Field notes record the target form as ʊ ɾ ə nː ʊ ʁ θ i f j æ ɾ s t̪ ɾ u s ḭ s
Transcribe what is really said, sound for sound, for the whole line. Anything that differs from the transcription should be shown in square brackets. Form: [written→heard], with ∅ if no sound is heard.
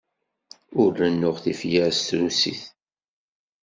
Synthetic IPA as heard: ʊ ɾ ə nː ʊ ʁ θ i f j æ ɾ s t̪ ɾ u s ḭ [s→θ]